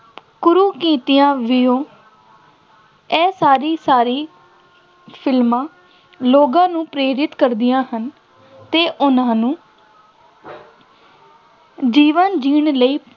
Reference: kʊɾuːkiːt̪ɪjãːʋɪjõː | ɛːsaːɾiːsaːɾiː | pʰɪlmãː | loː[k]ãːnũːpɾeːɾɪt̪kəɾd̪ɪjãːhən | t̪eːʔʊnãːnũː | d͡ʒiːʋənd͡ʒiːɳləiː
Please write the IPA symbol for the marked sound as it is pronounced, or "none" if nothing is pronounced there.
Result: ɡ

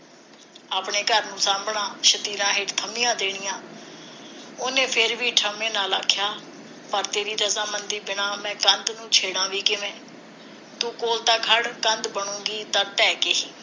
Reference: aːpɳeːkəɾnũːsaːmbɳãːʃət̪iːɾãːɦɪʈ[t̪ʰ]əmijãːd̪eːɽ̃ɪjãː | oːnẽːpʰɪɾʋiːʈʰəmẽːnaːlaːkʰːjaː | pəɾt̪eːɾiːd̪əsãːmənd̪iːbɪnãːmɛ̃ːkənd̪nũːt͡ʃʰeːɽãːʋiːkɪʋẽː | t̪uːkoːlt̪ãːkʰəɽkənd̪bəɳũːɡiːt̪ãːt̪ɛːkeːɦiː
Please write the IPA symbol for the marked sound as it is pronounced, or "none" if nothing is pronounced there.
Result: t̪ʰ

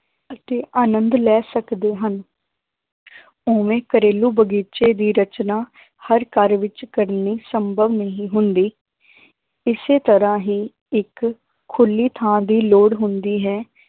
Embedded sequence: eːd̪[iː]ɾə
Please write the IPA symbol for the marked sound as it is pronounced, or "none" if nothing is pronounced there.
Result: iː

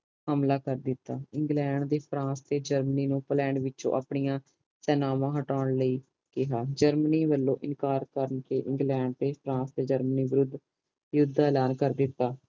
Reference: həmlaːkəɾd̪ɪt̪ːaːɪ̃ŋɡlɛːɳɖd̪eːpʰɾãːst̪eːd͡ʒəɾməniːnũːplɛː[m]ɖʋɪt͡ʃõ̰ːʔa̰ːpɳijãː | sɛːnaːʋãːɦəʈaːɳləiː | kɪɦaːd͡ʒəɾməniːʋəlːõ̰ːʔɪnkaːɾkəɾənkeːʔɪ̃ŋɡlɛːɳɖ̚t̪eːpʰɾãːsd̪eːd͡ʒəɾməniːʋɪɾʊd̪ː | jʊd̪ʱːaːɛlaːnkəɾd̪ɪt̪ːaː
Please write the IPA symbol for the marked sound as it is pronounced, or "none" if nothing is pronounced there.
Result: ɳ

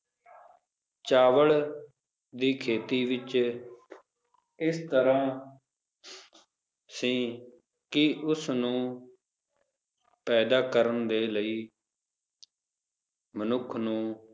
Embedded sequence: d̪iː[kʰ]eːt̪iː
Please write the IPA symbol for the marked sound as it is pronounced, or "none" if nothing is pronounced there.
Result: kʰ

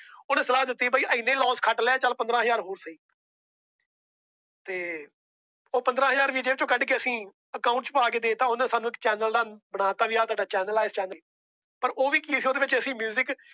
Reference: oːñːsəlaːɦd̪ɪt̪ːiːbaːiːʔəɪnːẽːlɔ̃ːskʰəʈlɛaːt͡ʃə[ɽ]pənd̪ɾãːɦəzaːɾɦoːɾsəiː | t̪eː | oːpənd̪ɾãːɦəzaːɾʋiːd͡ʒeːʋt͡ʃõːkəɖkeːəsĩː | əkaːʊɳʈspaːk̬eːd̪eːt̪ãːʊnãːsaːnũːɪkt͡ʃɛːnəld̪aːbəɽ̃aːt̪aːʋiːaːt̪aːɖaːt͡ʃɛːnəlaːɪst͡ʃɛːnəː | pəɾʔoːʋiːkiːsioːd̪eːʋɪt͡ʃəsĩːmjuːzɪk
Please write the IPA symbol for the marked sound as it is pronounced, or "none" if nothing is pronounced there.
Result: l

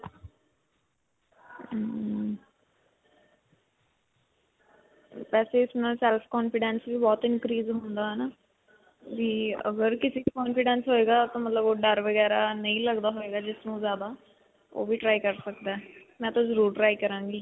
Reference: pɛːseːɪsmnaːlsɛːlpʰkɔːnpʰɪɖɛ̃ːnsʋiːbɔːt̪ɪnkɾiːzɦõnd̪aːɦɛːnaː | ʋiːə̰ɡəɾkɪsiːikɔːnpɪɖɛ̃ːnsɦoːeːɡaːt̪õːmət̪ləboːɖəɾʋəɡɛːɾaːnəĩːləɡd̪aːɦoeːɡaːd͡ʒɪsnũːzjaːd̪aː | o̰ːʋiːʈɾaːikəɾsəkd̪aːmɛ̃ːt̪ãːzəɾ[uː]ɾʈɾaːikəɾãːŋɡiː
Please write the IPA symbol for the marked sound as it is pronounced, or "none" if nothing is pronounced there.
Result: uː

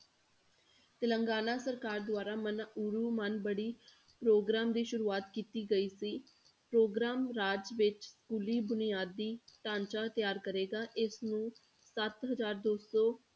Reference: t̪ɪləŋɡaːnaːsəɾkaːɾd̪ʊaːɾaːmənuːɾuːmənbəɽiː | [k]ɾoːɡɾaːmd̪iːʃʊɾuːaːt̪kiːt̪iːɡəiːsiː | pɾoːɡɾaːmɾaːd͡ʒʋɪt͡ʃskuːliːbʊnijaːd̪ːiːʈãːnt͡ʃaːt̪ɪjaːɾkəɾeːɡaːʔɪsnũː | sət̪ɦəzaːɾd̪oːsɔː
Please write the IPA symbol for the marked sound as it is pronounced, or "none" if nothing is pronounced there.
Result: p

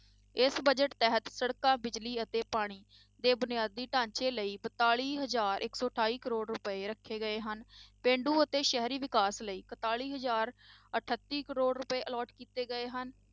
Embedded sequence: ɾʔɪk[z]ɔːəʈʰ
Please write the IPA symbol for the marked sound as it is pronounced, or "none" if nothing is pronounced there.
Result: s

